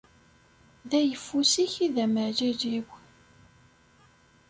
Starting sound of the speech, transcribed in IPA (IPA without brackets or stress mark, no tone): ð